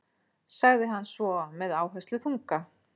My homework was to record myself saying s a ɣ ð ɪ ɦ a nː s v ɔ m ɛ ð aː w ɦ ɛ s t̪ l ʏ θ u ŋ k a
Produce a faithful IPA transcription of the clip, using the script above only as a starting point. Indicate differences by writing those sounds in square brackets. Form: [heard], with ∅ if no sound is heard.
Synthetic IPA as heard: s a ɣ ð ɪ ɦ a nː s v ɔ m ɛ ð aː w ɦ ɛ s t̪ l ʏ θ u ŋ k a